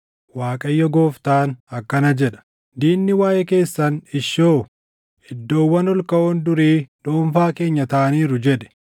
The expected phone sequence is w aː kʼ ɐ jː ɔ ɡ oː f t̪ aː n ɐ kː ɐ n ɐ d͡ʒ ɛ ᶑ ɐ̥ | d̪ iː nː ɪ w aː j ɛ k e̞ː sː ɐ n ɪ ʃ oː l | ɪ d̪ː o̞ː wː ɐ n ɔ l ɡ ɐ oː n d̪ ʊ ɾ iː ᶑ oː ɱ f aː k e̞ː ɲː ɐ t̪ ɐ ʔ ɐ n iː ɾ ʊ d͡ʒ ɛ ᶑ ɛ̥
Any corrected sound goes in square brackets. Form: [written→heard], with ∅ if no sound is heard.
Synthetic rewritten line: w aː kʼ ɐ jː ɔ ɡ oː f t̪ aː n ɐ kː ɐ n ɐ d͡ʒ ɛ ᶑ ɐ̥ | d̪ iː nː ɪ w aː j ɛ k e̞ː sː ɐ n ɪ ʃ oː [l→∅] | ɪ d̪ː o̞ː wː ɐ n ɔ l [ɡ→k] ɐ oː n d̪ ʊ ɾ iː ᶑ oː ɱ f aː k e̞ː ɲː ɐ t̪ ɐ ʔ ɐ n iː ɾ ʊ d͡ʒ ɛ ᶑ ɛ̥